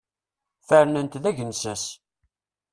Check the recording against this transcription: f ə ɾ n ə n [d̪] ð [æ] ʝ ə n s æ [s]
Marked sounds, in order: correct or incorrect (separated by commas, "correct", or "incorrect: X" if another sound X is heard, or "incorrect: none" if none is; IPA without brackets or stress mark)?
incorrect: t̪, correct, correct